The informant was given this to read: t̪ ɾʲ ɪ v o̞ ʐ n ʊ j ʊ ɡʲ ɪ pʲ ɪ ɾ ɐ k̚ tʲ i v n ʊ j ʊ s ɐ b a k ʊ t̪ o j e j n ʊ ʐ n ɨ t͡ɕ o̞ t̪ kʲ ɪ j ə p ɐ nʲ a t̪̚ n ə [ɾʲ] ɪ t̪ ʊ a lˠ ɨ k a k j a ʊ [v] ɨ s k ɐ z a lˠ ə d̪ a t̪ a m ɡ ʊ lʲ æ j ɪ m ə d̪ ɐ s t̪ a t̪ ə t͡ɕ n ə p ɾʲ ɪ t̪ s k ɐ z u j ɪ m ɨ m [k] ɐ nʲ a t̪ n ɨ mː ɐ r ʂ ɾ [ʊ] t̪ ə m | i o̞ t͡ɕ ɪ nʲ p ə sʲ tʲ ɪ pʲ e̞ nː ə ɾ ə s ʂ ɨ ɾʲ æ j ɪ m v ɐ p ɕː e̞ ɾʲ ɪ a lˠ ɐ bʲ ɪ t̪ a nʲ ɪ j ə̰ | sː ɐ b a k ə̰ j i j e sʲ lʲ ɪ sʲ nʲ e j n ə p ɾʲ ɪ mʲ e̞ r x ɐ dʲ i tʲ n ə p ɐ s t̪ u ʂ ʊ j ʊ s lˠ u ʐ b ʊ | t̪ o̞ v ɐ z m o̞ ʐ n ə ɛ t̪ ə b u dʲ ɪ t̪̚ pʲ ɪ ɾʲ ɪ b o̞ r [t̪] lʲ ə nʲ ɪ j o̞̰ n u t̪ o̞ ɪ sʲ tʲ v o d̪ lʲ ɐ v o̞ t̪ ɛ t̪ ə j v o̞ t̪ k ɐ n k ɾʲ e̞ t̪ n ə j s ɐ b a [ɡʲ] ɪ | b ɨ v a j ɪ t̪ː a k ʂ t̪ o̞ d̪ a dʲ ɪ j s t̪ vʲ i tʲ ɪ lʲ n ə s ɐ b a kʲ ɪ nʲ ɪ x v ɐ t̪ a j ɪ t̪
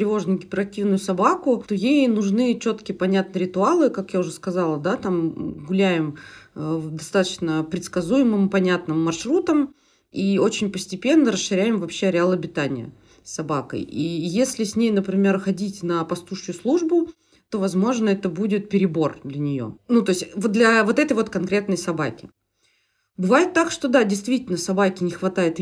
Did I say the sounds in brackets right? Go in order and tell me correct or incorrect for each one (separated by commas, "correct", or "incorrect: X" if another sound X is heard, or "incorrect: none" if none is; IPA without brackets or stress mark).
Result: correct, incorrect: ʐ, incorrect: p, incorrect: u, incorrect: d̪, incorrect: kʲ